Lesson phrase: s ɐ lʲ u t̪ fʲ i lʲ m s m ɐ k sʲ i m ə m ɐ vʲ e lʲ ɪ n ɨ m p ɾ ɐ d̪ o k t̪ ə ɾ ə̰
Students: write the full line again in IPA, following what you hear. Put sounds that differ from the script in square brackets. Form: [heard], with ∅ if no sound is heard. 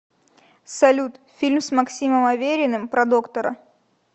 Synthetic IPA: s ɐ lʲ u t̪ fʲ i lʲ m s m ɐ k sʲ i m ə m ɐ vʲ e [ɾʲ] ɪ n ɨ m p ɾ ɐ d̪ o k t̪ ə ɾ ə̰